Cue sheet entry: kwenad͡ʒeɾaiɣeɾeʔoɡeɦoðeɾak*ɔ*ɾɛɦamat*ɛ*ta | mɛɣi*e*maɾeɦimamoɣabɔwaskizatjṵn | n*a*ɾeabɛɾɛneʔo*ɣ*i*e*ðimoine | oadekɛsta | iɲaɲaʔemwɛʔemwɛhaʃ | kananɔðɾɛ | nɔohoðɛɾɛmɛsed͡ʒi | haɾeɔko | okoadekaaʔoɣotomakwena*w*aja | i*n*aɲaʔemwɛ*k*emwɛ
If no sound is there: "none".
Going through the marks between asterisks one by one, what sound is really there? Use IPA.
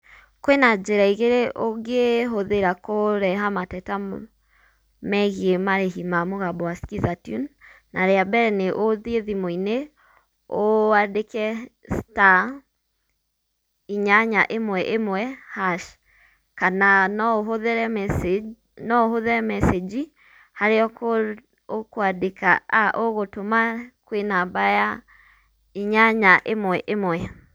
o, ɛ, e, a, ð, e, b, ɲ, ʔ

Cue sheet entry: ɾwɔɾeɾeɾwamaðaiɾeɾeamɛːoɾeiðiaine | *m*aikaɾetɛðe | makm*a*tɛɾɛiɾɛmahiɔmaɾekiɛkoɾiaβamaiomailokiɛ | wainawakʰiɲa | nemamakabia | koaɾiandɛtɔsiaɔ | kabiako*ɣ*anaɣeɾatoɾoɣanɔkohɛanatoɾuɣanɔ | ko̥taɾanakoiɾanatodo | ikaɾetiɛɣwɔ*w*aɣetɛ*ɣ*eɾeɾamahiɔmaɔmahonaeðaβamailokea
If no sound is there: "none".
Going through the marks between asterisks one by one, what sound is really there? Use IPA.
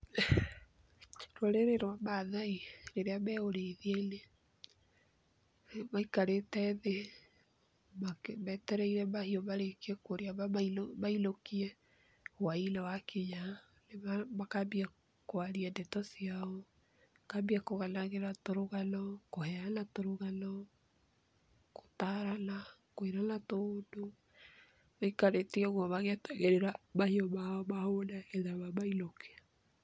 m, ɛ, ɣ, β, ɣ

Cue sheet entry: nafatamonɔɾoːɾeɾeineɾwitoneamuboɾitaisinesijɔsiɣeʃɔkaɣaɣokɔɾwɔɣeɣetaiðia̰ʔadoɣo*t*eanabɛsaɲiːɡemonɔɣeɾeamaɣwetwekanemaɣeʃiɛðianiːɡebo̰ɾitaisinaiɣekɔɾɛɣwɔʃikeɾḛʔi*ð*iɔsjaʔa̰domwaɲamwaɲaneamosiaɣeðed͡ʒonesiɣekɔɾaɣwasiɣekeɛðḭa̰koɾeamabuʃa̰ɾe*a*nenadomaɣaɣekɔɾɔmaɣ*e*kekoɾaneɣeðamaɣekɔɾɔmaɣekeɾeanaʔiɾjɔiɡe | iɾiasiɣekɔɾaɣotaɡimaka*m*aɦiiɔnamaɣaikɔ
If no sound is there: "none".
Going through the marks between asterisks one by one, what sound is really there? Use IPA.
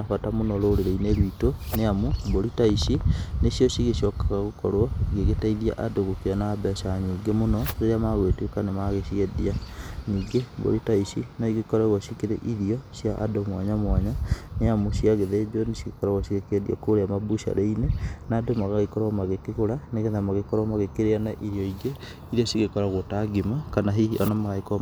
k, ð, i, e, n

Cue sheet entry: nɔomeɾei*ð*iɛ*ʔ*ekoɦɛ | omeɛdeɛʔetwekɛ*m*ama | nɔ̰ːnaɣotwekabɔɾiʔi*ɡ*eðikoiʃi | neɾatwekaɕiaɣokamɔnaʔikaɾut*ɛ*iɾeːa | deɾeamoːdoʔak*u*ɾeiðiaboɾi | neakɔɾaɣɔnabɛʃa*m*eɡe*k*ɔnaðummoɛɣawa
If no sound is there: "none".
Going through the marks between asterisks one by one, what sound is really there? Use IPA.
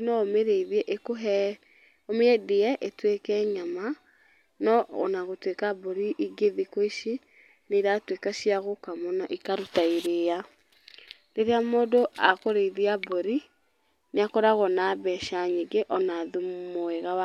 ð, ʔ, ɲ, ɡ, a, o, ɲ, ʔ

